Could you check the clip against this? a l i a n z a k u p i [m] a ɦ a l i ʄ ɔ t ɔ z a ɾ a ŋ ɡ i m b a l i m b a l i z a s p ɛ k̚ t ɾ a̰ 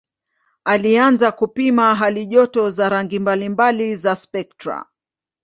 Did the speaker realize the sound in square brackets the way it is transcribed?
yes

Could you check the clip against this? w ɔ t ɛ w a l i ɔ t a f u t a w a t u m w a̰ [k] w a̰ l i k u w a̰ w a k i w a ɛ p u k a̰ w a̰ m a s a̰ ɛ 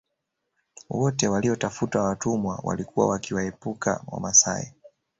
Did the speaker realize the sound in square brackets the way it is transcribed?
no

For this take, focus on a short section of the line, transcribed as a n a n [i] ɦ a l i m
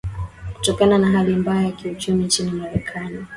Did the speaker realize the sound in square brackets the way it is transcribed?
no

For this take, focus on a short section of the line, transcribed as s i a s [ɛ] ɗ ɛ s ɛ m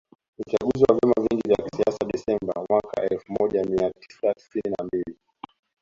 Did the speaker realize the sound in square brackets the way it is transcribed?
no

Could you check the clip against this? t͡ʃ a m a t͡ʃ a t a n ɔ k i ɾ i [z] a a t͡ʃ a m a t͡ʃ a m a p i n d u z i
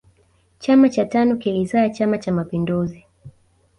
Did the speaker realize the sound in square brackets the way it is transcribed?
yes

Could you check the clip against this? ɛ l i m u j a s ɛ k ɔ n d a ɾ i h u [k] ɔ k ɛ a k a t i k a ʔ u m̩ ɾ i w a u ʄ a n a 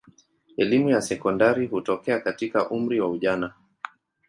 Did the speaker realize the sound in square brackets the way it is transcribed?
no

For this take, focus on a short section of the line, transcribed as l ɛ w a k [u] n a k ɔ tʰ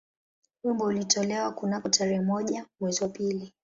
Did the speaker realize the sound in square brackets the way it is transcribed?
yes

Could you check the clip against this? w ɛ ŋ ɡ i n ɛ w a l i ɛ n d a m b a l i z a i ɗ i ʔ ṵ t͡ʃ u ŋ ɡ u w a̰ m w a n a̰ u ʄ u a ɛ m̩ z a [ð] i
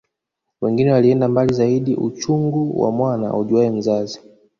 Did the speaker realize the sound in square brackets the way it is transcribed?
no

